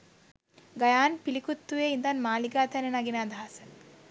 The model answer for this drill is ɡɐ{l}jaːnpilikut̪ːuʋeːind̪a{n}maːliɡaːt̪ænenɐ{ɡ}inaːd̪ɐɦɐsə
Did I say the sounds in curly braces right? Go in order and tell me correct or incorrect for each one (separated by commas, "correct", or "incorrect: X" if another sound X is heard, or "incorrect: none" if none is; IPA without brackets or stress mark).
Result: incorrect: none, correct, correct